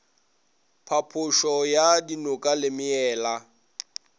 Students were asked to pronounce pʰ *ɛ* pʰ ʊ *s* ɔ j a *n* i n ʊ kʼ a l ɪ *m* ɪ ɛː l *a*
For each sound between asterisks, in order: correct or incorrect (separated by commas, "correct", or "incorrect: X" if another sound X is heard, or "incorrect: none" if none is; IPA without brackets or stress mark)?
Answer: incorrect: a, incorrect: ʃ, incorrect: d, correct, correct